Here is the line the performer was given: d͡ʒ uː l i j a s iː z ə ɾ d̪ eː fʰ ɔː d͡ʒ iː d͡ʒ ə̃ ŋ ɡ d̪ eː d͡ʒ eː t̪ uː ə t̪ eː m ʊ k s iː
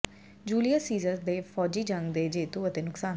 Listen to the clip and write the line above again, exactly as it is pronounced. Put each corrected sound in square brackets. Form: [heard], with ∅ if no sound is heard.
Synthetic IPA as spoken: d͡ʒ uː l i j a s iː z ə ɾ d̪ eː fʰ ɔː d͡ʒ iː d͡ʒ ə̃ ŋ ɡ d̪ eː d͡ʒ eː t̪ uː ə t̪ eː [n] ʊ k s [aː]